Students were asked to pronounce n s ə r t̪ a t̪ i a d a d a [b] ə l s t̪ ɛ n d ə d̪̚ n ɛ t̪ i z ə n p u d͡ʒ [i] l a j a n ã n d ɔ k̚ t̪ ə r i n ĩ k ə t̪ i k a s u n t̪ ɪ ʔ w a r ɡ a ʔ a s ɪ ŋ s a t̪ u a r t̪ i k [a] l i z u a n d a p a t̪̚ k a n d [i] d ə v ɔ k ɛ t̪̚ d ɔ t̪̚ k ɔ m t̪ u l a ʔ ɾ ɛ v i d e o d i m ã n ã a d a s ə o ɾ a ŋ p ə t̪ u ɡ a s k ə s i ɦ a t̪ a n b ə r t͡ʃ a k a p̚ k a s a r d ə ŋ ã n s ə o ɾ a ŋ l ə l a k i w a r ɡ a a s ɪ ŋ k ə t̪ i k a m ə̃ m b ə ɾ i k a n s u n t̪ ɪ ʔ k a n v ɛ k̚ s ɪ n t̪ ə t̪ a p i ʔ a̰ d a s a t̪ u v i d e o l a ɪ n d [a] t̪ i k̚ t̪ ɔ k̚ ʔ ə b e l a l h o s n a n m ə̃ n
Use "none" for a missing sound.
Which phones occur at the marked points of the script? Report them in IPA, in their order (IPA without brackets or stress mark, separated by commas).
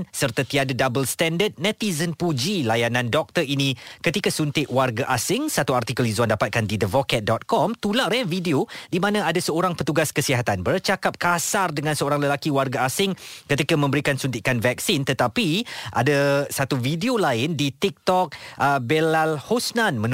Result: b, i, ə, i, i